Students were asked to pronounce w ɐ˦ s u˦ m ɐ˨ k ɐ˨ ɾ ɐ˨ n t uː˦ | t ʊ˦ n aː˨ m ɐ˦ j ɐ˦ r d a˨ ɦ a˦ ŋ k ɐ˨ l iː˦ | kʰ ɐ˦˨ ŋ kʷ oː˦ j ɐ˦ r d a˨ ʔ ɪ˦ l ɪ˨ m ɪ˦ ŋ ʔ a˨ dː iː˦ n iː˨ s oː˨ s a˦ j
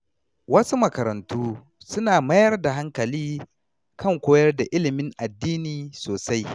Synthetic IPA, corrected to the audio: w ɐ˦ s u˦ m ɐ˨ k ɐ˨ ɾ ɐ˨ n t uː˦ | s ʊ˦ n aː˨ m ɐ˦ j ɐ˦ r d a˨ ɦ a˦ ŋ k ɐ˨ l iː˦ | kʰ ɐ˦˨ ŋ kʷ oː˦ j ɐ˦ r d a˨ ʔ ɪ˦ l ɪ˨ m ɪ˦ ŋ ʔ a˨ dː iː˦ n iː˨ s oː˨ s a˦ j

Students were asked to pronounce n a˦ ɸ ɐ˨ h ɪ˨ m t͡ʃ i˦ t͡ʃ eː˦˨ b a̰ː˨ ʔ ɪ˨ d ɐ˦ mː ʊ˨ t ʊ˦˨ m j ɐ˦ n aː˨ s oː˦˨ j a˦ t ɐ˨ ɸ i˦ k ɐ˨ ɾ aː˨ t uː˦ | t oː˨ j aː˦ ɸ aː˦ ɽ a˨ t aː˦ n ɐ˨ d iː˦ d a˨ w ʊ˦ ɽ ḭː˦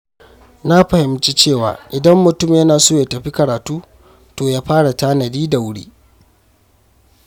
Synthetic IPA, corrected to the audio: n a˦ ɸ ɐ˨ h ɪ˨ m t͡ʃ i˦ t͡ʃ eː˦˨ w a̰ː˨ ʔ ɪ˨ d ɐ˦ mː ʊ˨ t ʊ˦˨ m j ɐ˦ n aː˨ s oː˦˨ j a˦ t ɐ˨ ɸ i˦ k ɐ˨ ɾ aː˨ t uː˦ | t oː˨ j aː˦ ɸ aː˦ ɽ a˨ t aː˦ n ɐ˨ d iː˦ d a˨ w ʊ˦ ɽ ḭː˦

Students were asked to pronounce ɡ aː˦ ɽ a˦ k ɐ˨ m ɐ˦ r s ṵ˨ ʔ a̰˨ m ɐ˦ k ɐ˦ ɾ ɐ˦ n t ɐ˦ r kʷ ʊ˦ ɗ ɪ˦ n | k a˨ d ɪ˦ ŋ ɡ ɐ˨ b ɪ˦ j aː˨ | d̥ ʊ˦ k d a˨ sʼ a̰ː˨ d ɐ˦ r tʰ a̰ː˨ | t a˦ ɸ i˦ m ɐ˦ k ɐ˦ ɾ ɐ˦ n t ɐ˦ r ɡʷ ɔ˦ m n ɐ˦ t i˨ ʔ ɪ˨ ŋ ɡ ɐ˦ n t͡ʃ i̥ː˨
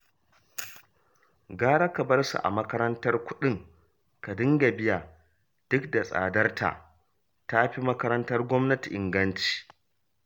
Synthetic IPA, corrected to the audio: ɡ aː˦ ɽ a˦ k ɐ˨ b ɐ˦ r s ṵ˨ ʔ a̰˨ m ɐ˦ k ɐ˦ ɾ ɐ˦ n t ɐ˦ r kʷ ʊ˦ ɗ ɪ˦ ŋ | k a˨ d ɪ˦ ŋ ɡ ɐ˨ b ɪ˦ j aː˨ | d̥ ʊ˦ k d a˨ sʼ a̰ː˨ d ɐ˦ r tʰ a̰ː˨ | t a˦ ɸ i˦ m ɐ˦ k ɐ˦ ɾ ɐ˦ n t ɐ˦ r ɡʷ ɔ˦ m n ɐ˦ t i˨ ʔ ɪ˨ ŋ ɡ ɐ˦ n t͡ʃ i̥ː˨

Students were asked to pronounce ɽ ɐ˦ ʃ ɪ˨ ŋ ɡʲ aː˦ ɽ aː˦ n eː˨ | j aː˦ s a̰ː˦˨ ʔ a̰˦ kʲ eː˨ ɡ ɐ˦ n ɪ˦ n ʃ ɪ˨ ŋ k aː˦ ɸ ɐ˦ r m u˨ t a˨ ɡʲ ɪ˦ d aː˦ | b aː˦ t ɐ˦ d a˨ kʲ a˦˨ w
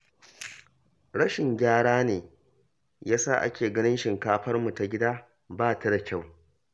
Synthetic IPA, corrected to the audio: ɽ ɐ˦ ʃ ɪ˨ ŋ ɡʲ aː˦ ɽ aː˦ n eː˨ | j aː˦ s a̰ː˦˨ ʔ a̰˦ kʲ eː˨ ɡ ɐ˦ n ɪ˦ n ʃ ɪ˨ ŋ k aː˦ ɸ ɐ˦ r m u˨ t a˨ ɡʲ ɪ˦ d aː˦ | b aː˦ t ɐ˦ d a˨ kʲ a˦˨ w

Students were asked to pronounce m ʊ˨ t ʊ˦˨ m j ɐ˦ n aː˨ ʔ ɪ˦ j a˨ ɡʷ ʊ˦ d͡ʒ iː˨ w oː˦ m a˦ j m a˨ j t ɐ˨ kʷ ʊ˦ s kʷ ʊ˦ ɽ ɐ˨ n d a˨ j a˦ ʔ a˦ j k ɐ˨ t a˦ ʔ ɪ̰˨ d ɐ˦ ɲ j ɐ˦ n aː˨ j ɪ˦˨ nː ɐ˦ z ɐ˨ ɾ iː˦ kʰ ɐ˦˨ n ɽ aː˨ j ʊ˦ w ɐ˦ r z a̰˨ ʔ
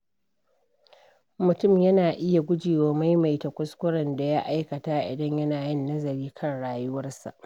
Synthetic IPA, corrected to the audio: m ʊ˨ t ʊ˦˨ m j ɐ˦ n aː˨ ʔ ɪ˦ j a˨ ɡʷ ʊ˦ d͡ʒ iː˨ w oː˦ m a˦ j m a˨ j t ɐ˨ kʷ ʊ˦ s kʷ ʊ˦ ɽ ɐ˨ n d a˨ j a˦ ʔ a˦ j k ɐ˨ t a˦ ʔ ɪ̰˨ d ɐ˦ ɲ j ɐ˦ n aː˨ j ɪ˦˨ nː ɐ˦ z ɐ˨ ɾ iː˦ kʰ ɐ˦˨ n ɽ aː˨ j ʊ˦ w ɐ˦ r s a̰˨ ʔ

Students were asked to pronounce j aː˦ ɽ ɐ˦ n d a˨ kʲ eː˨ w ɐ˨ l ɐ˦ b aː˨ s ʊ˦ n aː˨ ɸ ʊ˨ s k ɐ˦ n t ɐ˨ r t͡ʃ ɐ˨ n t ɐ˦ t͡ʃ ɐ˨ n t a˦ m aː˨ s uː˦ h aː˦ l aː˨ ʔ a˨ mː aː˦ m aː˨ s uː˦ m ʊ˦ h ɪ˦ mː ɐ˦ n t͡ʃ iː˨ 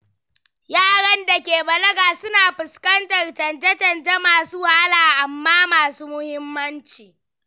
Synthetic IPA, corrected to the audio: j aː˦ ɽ ɐ˦ n d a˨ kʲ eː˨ b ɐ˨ l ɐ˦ ɡ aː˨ s ʊ˦ n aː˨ ɸ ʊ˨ s k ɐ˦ n t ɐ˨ r t͡ʃ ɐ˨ n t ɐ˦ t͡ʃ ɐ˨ n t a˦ m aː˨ s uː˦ h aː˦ l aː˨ ʔ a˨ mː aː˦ m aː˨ s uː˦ m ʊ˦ h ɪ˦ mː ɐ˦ n t͡ʃ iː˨

